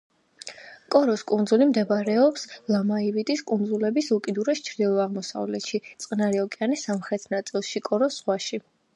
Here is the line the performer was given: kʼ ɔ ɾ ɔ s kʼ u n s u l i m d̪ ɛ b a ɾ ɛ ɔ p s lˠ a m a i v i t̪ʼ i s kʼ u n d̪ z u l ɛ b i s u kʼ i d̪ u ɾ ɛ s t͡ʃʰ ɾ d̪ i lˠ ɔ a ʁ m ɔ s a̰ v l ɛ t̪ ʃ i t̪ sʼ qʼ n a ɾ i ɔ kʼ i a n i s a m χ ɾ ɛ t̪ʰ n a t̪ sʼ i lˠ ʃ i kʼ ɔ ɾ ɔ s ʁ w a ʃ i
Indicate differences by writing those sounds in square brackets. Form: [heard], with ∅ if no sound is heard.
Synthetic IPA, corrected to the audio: kʼ ɔ ɾ ɔ s kʼ u n [z] u l i m d̪ ɛ b a ɾ ɛ ɔ p s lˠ a m a i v i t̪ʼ i s kʼ u n d̪ z u l ɛ b i s u kʼ i d̪ u ɾ ɛ s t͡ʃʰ ɾ d̪ i lˠ ɔ a ʁ m ɔ s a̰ v l ɛ t̪ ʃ i t̪ sʼ qʼ n a ɾ i ɔ kʼ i a n i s a m χ ɾ ɛ t̪ʰ n a t̪ sʼ i lˠ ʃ i kʼ ɔ ɾ ɔ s ʁ w a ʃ i